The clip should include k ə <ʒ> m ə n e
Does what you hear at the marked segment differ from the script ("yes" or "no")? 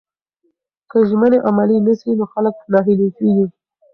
no